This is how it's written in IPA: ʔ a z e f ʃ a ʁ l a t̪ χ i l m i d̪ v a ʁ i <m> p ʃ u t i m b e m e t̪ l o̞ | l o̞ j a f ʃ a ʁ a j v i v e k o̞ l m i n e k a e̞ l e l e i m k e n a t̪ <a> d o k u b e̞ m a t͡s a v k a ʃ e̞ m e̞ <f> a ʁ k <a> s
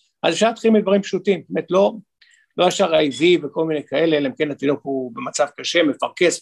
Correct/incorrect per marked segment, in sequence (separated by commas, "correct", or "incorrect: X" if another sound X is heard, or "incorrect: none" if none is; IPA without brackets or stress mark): correct, incorrect: i, correct, incorrect: e